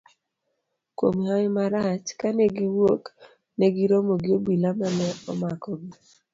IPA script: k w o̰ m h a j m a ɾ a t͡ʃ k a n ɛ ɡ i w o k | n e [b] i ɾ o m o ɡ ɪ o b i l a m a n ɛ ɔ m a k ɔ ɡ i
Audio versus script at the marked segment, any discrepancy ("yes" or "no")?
yes